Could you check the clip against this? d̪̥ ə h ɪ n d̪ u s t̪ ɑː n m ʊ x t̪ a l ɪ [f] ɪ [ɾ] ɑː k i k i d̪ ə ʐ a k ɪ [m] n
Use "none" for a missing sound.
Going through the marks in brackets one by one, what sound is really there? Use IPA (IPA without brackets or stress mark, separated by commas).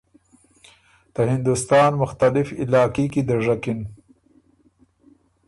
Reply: f, l, none